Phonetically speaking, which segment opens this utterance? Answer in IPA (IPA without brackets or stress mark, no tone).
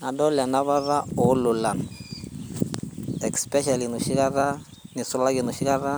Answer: n